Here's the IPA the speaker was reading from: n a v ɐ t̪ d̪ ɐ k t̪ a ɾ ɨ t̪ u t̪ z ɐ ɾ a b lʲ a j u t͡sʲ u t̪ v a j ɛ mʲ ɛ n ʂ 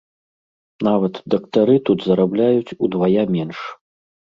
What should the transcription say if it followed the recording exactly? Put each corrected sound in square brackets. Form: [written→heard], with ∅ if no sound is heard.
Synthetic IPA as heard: n a v ɐ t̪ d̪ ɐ k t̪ a ɾ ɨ t̪ u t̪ z ɐ ɾ a b lʲ a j u t͡sʲ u [t̪→d̪] v a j [ɛ→a] mʲ ɛ n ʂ